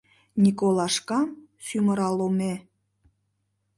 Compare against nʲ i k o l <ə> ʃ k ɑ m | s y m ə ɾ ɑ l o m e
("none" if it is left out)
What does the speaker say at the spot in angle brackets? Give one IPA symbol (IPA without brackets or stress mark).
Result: ɑ